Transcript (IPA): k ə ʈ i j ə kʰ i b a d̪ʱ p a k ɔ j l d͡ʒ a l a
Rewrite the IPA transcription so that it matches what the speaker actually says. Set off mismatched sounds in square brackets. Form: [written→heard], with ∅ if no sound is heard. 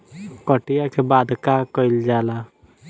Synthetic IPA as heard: k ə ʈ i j [ə→a] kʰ [i→e] b a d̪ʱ [p→k] a k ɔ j l d͡ʒ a l a